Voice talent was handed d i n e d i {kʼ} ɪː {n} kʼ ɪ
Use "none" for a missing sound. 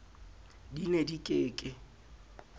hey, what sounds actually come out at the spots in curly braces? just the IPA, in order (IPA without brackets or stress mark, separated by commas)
kʼ, none